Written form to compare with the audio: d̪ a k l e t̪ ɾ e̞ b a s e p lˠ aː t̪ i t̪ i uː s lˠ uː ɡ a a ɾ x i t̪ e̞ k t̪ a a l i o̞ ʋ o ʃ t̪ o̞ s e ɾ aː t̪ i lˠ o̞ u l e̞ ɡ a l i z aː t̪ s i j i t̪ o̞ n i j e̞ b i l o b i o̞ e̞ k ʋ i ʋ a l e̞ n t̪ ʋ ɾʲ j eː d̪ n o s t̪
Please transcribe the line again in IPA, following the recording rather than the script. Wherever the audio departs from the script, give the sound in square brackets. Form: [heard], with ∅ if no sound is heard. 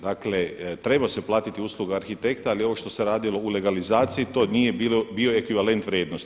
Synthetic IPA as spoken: d̪ a k l e t̪ ɾ e̞ b a s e p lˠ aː t̪ i t̪ i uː s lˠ [u] ɡ a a ɾ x i t̪ e̞ k t̪ a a l i o̞ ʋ o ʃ t̪ o̞ s e ɾ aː [d̪] i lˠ o̞ u l e̞ ɡ a l i z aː t̪ s i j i t̪ o̞ n i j e̞ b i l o b i o̞ e̞ k ʋ i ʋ a l e̞ n t̪ ʋ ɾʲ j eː d̪ n o s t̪